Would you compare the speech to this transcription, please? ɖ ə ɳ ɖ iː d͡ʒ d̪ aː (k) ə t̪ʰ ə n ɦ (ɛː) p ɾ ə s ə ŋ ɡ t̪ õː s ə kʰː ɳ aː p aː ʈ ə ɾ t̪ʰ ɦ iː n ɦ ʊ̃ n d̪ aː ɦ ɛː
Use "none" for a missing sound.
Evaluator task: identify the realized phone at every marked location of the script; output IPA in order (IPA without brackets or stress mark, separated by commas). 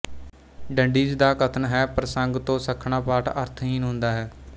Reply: k, ɛː